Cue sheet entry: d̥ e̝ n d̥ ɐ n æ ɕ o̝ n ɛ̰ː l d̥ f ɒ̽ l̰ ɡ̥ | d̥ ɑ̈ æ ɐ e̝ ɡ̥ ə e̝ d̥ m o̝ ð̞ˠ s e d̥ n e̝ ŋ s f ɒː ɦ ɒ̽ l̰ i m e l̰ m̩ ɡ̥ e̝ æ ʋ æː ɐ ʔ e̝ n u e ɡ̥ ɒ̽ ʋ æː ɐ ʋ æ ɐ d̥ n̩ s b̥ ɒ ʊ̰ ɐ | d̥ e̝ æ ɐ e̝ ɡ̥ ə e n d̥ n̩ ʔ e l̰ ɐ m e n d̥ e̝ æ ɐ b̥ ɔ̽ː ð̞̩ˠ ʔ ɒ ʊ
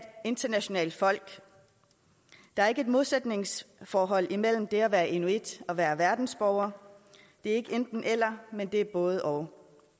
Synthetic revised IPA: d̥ e̝ n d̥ ɐ n æ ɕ o̝ n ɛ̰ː l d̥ f ɒ̽ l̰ ɡ̥ | d̥ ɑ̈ æ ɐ e̝ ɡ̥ ə e̝ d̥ m o̝ ð̞ˠ s e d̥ n e̝ ŋ s f ɒː ɦ ɒ̽ l̰ i m e l̰ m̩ d̥ e̝ æ ʋ æː ɐ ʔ e̝ n u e d̥ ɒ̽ ʋ æː ɐ ʋ æ ɐ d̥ n̩ s b̥ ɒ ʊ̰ ɐ | d̥ e̝ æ ɐ e̝ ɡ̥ ə e n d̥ n̩ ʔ e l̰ ɐ m e n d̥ e̝ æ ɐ b̥ ɔ̽ː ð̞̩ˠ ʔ ɒ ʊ